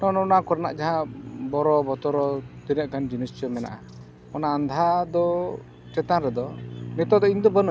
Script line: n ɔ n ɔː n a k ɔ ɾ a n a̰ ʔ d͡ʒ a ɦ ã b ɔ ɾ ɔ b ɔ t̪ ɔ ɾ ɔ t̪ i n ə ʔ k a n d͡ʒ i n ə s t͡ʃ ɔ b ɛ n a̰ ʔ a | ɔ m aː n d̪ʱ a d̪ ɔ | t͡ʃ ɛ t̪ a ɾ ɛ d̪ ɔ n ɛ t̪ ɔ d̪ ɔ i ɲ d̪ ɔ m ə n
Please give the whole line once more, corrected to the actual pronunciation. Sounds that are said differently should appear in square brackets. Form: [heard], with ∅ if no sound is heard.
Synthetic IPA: n ɔ n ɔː n a k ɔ ɾ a n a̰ ʔ d͡ʒ a ɦ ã b ɔ ɾ ɔ b ɔ t̪ ɔ ɾ ɔ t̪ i n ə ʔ k a n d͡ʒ i n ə s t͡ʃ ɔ [m] ɛ n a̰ ʔ a | ɔ [n] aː n d̪ʱ a d̪ ɔ | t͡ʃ ɛ t̪ a ɾ ɛ d̪ ɔ n ɛ t̪ ɔ d̪ ɔ i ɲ d̪ ɔ [b] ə n